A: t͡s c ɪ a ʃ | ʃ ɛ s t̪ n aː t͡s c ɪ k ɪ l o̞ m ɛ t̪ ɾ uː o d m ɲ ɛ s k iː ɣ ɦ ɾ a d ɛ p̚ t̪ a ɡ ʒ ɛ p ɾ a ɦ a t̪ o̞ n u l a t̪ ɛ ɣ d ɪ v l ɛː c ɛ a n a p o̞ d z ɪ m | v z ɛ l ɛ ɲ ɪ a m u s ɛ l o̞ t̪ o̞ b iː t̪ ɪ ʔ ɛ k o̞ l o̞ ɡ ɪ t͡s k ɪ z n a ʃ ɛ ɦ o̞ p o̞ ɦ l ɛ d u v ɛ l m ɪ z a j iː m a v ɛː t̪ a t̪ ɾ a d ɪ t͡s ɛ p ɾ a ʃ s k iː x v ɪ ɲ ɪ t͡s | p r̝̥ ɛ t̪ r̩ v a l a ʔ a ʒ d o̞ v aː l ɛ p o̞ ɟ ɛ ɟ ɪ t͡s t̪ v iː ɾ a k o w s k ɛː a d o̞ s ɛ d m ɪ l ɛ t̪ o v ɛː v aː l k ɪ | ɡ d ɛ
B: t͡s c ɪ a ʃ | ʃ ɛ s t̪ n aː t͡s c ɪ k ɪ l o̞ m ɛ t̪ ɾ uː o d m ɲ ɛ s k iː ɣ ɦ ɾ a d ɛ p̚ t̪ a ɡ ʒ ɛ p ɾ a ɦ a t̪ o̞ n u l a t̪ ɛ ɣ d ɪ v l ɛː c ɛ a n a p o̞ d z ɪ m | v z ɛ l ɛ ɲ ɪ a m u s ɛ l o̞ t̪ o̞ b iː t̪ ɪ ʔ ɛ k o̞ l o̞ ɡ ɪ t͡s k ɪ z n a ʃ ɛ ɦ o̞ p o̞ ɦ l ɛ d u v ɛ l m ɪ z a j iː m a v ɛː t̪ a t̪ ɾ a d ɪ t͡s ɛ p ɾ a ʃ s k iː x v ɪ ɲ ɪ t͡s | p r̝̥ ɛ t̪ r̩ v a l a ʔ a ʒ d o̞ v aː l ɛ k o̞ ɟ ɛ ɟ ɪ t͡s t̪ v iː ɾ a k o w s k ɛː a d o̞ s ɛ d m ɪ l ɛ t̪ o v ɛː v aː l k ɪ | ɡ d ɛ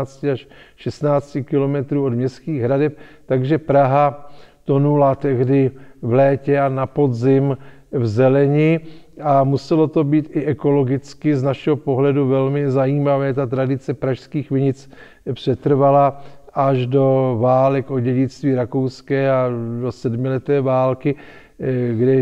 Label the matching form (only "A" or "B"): B